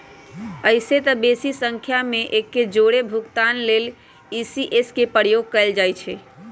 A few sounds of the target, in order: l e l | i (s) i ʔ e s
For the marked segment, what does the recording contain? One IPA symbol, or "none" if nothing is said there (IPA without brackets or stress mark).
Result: s